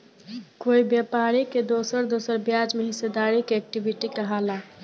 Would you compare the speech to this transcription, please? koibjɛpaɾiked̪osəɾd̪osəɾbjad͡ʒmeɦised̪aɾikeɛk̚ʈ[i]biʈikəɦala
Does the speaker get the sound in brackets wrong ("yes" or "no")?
no